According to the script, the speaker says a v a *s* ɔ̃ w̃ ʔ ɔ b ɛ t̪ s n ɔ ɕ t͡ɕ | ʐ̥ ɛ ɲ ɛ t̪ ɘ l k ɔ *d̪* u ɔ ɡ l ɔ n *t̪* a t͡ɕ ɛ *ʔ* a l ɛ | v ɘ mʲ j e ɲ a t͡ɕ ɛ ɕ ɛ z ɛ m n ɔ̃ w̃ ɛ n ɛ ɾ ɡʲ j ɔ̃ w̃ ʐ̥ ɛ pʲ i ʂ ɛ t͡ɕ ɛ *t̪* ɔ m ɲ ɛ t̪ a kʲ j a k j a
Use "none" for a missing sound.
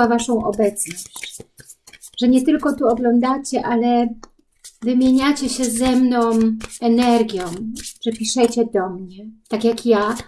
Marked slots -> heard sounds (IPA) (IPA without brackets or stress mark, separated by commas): ʂ, t̪, d̪, ʔ, d̪